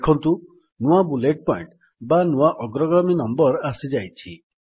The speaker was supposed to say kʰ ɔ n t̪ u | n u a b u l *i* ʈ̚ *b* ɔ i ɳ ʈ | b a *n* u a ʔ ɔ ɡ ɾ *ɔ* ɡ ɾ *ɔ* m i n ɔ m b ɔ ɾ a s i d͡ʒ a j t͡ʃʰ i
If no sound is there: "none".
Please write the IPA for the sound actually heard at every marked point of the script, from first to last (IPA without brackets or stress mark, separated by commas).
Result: e, p, n, ɔ, ɔ